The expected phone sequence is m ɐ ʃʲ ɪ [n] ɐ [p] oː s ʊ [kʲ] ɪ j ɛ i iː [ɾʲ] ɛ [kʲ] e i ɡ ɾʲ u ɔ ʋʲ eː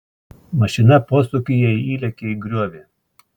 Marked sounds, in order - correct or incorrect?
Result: correct, correct, correct, incorrect: lʲ, correct

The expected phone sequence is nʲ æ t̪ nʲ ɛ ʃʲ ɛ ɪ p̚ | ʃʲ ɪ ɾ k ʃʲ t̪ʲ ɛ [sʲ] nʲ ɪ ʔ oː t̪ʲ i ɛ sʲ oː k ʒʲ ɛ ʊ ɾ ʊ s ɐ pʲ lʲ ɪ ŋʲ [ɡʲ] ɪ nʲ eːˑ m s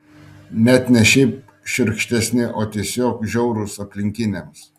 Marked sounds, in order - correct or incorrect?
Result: correct, incorrect: kʲ

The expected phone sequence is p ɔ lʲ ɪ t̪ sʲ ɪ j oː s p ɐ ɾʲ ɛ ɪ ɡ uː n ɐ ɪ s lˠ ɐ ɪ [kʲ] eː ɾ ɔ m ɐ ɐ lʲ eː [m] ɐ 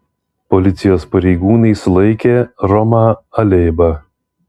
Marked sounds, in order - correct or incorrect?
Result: correct, incorrect: b

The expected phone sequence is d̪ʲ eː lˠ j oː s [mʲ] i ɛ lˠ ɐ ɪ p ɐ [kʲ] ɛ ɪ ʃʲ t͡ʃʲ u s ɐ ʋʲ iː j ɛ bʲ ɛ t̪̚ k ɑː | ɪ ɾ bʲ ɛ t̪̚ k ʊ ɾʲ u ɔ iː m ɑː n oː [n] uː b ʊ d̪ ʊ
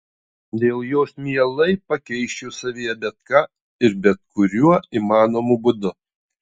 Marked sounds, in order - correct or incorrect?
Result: correct, correct, incorrect: m

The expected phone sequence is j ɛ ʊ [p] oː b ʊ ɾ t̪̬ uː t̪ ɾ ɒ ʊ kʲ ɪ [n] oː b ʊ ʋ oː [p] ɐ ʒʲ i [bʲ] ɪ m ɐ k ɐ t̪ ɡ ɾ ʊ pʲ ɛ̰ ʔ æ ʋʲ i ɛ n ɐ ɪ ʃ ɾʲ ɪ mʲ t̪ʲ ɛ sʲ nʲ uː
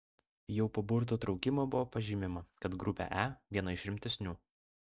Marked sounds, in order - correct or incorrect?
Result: correct, incorrect: m, correct, incorrect: mʲ

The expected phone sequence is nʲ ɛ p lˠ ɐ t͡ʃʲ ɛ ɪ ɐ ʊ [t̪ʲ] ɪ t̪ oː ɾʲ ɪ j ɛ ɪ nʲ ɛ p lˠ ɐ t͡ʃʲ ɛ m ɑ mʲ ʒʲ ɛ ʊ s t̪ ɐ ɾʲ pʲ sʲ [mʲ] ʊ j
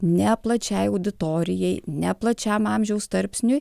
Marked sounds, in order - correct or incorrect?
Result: incorrect: d̪ʲ, incorrect: nʲ

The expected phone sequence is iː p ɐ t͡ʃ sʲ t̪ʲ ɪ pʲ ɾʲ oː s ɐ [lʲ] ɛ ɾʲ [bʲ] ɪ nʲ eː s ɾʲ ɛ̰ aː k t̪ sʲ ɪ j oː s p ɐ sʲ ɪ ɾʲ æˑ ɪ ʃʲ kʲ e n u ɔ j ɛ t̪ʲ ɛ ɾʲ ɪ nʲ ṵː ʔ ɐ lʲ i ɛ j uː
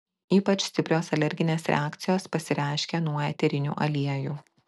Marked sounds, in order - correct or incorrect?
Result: correct, incorrect: ɡʲ

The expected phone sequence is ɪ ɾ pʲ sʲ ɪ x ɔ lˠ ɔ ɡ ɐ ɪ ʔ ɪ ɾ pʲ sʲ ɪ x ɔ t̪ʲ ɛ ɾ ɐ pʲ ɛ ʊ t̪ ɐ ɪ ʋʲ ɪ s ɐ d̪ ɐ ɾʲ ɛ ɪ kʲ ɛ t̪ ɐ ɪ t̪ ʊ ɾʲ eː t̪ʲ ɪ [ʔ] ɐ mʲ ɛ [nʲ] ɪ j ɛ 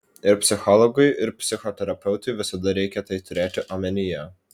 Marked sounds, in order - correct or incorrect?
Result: correct, correct

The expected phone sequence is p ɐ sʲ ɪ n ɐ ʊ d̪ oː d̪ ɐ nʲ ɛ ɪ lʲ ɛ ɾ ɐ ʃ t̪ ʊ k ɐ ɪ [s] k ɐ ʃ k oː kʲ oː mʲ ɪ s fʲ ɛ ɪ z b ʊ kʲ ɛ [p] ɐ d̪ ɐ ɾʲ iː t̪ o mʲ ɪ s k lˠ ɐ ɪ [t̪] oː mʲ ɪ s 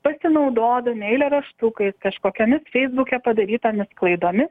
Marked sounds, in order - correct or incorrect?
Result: correct, correct, incorrect: d̪

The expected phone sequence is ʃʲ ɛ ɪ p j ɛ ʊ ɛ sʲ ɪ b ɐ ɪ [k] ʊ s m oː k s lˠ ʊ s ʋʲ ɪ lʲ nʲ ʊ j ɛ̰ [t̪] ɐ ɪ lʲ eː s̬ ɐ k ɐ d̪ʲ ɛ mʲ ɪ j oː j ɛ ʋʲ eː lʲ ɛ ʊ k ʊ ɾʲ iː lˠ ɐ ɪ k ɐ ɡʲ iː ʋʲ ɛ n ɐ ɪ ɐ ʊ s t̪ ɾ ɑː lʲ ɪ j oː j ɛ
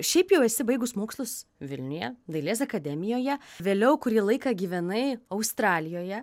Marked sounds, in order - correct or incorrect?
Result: incorrect: ɡ, incorrect: d̪

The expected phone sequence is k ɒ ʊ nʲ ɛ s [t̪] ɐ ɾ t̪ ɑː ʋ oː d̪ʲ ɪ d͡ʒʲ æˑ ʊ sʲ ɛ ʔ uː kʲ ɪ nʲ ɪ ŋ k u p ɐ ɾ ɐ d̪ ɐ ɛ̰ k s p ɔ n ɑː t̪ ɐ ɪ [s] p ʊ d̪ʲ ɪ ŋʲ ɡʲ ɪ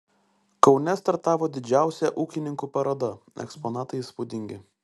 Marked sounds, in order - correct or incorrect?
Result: correct, correct

